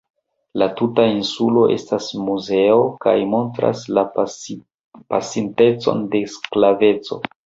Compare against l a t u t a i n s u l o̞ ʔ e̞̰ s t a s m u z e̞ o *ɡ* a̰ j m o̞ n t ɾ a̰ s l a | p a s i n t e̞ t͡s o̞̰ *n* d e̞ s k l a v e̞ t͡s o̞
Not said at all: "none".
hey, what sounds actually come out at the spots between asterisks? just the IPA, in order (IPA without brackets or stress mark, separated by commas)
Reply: k, n